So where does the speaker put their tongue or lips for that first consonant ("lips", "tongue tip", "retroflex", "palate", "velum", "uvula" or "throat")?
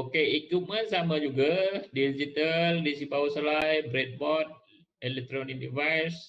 velum